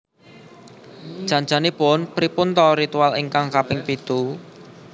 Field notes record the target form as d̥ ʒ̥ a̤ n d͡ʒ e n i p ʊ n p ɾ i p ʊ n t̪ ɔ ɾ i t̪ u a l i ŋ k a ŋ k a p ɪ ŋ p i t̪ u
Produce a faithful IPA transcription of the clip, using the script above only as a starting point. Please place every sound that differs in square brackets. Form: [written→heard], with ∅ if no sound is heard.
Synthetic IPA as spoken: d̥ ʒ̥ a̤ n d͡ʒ [e→a] n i p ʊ n p ɾ i p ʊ n t̪ ɔ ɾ i t̪ u a l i ŋ k a ŋ k a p ɪ ŋ p i t̪ u